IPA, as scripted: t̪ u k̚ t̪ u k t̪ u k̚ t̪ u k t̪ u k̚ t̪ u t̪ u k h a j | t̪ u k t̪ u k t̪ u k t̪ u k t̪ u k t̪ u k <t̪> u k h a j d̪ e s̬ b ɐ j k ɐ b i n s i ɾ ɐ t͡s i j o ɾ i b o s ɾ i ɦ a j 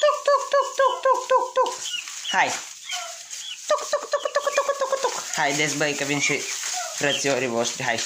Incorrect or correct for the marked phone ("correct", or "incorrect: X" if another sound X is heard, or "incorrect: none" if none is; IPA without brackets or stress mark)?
correct